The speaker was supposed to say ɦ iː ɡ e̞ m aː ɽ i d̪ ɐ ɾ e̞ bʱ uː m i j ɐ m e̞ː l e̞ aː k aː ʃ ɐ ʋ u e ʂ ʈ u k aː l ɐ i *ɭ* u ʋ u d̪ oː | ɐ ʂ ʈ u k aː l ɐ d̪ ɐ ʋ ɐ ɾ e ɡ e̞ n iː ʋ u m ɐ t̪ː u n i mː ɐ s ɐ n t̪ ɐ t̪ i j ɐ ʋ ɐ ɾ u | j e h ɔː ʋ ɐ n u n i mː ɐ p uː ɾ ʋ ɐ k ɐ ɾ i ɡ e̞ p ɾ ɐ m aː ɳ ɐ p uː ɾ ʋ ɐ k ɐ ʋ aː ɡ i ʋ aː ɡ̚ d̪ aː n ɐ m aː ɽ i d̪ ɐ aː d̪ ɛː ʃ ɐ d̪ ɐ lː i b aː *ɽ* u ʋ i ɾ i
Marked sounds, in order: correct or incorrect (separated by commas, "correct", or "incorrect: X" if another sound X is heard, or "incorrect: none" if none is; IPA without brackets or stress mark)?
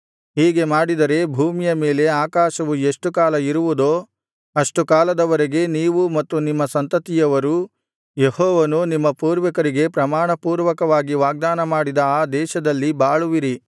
incorrect: ɾ, incorrect: ɭ